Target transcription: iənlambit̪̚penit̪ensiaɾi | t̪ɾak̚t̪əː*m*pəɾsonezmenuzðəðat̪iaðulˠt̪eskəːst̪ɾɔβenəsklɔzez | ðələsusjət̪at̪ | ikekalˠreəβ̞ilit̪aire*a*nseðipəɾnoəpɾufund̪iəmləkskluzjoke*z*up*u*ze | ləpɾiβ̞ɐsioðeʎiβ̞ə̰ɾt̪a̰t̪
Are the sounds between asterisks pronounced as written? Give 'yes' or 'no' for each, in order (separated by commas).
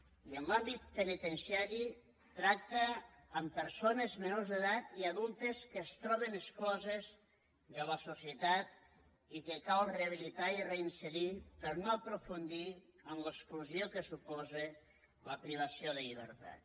yes, no, no, no